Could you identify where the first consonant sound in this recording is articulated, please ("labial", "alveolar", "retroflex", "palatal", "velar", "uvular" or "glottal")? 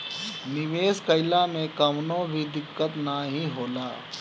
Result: alveolar